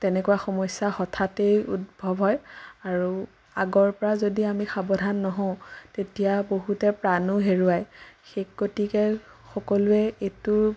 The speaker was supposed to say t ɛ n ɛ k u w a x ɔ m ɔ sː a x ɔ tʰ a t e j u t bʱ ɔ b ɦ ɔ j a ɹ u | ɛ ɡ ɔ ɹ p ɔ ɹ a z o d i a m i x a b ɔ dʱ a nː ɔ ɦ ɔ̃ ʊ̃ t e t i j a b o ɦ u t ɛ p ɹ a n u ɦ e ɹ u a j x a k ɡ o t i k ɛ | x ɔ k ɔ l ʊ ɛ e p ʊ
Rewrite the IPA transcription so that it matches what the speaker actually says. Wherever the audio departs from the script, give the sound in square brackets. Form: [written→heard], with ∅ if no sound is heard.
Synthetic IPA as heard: t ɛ n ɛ k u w a x ɔ m ɔ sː a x ɔ tʰ a t e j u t bʱ ɔ b ɦ ɔ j a ɹ u | [ɛ→a] ɡ ɔ ɹ p ɔ ɹ a z o d i a m i x a b ɔ dʱ a nː ɔ ɦ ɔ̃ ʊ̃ t e t i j a b o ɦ u t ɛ p ɹ a n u ɦ e ɹ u a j x [a→e] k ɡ o t i k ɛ | x ɔ k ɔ l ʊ ɛ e [p→t] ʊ